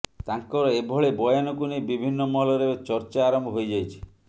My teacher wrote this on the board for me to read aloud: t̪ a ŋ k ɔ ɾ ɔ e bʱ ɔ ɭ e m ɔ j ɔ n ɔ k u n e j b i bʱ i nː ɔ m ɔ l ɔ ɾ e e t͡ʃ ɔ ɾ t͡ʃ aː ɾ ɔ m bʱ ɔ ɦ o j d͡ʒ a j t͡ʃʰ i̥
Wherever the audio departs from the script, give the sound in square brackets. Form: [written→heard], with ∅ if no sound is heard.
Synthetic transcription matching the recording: t̪ a ŋ k ɔ ɾ ɔ e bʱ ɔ ɭ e [m→b] ɔ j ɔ n ɔ k u n e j b i bʱ i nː ɔ m ɔ l ɔ ɾ e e t͡ʃ ɔ ɾ t͡ʃ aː ɾ ɔ m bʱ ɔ ɦ o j d͡ʒ a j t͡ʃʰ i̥